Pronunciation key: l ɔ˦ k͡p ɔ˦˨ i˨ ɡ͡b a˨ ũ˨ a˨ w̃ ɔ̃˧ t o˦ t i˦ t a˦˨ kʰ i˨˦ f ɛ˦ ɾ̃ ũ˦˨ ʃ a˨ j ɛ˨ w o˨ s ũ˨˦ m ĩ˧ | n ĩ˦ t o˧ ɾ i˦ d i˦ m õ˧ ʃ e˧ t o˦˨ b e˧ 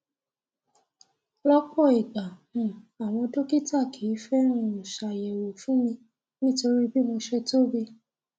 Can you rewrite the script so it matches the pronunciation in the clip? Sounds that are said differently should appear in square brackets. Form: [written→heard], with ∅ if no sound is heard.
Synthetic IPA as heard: l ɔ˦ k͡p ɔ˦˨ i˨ ɡ͡b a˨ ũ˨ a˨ w̃ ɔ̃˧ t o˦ [t→k] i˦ t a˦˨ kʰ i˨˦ f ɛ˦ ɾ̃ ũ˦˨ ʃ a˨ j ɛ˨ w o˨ [s→f] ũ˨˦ m ĩ˧ | n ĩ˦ t o˧ ɾ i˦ [d→b] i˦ m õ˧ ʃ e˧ t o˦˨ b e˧